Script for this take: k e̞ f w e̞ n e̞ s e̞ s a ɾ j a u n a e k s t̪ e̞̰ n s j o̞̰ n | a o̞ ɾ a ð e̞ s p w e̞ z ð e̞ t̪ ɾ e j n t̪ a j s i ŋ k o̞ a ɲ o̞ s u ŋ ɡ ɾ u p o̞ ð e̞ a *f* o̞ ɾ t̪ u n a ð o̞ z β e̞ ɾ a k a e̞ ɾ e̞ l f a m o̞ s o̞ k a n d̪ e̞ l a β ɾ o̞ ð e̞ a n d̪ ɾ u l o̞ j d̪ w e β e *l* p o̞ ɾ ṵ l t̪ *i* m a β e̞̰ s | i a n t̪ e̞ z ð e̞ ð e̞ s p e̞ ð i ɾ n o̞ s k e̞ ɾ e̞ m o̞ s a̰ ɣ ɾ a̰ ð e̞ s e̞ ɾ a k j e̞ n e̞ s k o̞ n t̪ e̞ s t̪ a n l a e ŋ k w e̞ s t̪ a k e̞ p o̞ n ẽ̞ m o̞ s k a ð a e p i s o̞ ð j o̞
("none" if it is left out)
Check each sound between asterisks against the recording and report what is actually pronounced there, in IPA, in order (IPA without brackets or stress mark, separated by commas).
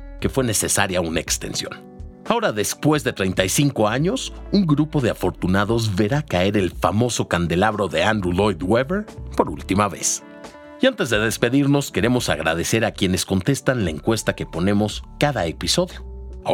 f, ɾ, i